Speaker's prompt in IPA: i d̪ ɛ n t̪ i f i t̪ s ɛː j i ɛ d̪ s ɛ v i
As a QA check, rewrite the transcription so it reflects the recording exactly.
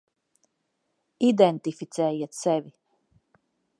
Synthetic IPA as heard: i d̪ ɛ n t̪ i f i t̪ s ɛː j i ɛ t̪ s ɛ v i